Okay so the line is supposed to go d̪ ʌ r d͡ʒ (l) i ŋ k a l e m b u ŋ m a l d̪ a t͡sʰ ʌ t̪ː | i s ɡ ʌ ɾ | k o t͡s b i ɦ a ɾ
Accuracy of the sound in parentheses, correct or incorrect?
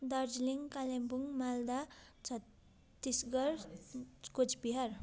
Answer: correct